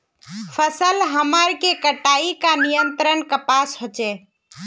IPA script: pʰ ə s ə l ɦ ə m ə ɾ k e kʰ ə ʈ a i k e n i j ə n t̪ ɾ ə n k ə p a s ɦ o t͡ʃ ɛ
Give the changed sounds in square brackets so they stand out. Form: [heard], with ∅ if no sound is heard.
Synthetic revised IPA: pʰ ə s ə l ɦ ə m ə ɾ k e [k] ə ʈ a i k [a] n i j ə n t̪ ɾ ə n k ə p a s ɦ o t͡ʃ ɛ